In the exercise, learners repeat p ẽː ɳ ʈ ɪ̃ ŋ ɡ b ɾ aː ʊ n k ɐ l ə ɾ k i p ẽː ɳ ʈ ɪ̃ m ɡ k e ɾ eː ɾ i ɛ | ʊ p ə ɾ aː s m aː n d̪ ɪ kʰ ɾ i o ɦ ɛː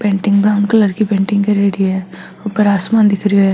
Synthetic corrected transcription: p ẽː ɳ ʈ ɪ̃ ŋ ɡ b ɾ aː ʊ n k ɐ l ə ɾ k i p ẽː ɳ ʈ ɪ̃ ŋ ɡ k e ɾ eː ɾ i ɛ | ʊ p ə ɾ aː s m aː n d̪ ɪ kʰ ɾ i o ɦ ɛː